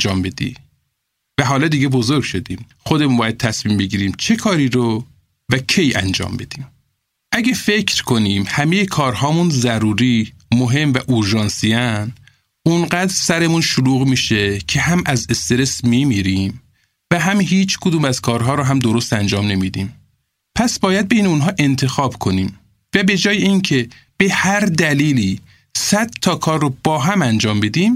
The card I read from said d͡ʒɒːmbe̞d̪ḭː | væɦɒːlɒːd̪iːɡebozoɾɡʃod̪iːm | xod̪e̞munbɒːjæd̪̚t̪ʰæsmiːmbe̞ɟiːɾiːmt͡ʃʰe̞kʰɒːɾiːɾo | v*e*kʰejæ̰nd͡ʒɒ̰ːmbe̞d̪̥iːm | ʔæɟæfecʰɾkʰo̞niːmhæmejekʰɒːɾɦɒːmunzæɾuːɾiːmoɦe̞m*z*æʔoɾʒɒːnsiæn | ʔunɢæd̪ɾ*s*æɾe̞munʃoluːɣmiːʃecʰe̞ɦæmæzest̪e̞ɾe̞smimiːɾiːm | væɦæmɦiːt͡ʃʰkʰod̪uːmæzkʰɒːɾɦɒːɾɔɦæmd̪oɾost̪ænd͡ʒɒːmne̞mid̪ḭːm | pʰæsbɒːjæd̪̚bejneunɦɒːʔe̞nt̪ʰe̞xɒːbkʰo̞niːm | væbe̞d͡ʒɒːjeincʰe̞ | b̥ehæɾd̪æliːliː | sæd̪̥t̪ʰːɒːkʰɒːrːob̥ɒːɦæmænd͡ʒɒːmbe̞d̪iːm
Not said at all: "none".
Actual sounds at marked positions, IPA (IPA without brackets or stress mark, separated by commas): æ, v, s